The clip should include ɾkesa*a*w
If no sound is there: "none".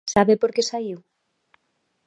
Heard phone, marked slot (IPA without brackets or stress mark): i